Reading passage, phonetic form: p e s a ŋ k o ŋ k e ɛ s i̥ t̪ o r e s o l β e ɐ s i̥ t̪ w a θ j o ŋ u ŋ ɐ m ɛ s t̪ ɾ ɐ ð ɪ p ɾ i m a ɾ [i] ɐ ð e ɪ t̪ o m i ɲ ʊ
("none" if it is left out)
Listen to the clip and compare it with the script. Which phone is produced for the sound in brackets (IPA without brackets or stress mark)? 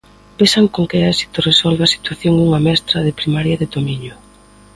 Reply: j